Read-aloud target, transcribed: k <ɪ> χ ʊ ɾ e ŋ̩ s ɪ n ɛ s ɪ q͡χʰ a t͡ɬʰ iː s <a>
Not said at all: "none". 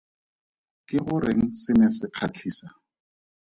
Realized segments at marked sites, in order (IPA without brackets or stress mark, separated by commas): ɪ, a